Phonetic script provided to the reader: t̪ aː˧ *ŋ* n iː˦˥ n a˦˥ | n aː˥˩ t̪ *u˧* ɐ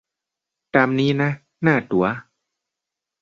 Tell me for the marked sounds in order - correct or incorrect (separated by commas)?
incorrect, incorrect